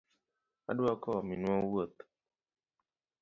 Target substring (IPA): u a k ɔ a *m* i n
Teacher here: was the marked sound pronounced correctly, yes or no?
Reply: yes